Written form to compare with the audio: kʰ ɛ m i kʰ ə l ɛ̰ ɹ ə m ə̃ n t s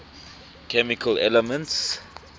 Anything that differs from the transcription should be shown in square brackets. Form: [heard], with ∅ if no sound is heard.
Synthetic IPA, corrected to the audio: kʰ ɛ m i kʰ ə l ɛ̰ [l] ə m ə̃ n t s